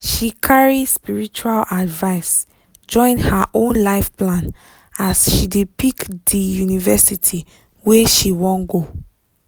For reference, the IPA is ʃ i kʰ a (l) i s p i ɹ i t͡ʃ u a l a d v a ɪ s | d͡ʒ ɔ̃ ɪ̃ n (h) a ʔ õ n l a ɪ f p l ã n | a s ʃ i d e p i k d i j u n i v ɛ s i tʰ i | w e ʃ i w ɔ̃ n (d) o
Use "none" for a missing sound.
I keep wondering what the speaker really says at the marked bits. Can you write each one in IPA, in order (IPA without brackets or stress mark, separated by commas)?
ɹ, h, ɡ